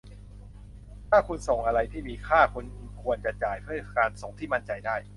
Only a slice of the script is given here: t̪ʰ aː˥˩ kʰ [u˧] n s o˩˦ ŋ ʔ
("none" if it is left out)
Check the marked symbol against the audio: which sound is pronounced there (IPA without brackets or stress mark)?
u˧